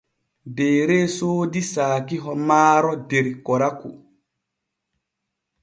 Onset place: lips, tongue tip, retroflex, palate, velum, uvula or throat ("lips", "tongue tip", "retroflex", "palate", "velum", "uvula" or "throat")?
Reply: tongue tip